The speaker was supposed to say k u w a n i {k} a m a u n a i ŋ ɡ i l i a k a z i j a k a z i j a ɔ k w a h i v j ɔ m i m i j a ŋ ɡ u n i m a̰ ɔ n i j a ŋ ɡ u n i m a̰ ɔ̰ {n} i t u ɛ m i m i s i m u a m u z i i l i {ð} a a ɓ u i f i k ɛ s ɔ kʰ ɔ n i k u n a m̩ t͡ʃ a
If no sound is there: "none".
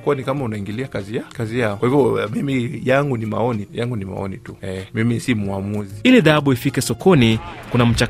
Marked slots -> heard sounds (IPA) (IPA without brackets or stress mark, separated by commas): k, n, ð